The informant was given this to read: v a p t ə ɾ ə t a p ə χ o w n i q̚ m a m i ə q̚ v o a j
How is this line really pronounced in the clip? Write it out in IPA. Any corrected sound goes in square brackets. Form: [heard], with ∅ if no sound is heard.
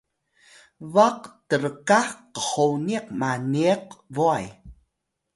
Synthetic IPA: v a [q] t ə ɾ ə [k] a [q] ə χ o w n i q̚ m a [n] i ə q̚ v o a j

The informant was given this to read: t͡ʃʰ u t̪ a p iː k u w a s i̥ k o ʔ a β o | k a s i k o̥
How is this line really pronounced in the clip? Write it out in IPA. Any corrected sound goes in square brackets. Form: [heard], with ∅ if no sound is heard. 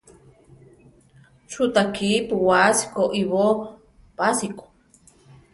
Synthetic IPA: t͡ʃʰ u t̪ a [k] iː [p] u w a s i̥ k o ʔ [i] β o | [p] a s i k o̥

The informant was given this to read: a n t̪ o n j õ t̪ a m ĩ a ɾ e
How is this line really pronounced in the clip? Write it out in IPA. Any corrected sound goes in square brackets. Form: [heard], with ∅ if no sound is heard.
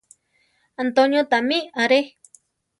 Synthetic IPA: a n t̪ o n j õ t̪ a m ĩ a ɾ e

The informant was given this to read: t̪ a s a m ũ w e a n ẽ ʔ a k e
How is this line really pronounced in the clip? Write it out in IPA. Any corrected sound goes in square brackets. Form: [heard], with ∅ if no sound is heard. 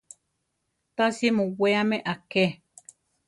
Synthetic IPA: t̪ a s [i] m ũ w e a [m] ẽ ʔ a k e

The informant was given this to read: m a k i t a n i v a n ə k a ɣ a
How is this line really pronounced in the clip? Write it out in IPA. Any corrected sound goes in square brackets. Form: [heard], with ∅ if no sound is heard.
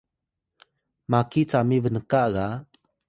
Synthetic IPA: m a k i [t͡s] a [m] i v [ə] n ə k a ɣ a

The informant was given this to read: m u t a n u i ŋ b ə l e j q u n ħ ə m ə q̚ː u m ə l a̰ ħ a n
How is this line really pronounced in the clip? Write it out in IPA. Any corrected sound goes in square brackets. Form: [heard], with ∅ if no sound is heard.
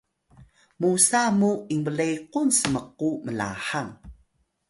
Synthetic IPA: m u [s] a [m] u i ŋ b ə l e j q u n [s] ə m ə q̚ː u m ə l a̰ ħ a [ŋ]

